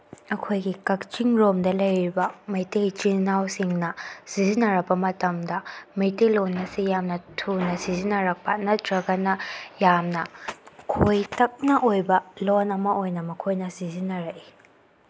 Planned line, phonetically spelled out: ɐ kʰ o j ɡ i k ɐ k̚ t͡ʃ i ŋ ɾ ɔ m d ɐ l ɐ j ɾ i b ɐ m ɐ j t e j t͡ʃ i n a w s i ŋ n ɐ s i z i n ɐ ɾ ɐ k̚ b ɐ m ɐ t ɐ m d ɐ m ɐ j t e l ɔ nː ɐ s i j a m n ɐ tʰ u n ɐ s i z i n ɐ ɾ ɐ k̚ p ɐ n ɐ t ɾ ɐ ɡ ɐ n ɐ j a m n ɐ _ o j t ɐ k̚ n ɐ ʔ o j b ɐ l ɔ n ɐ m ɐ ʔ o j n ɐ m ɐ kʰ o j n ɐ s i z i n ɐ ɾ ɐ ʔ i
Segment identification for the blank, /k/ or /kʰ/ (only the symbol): kʰ